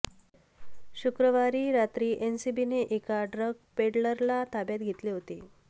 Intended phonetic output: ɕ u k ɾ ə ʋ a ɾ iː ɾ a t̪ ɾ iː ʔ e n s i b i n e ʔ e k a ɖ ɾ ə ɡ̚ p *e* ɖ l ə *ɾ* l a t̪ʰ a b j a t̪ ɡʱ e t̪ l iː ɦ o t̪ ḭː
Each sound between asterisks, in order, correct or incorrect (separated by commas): correct, correct